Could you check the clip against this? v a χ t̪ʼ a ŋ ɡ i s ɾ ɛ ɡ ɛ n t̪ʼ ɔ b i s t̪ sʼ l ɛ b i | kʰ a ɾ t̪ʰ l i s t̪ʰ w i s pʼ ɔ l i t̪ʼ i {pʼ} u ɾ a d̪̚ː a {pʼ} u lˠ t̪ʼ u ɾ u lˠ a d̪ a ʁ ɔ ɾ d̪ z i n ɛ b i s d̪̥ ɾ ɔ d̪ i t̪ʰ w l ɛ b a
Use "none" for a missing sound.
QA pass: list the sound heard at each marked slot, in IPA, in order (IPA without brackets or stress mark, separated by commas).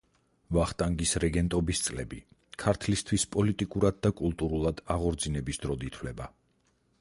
kʼ, kʼ